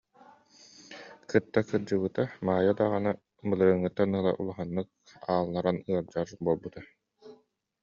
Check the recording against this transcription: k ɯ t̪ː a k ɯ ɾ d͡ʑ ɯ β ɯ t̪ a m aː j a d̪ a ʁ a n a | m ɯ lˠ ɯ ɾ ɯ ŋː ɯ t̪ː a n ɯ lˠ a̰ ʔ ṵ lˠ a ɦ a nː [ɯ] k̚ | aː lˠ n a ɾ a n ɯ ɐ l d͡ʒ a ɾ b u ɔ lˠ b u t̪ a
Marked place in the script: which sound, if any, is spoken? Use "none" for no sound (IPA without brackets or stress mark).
ɯ